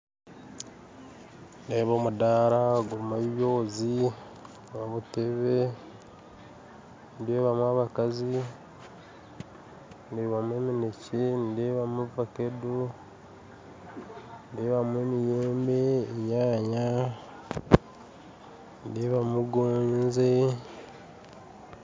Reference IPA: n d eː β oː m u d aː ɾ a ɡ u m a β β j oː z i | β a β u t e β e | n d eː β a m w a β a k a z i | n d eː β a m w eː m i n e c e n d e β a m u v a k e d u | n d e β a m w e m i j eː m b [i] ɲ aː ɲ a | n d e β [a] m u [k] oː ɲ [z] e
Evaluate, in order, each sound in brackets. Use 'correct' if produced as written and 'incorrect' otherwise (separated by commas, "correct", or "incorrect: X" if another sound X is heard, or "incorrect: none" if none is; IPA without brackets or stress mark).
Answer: incorrect: e, correct, incorrect: ɡ, correct